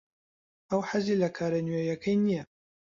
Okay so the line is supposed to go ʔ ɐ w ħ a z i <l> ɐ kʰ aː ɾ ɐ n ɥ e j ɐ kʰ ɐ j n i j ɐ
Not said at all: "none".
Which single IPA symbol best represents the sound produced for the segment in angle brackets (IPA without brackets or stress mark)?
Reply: l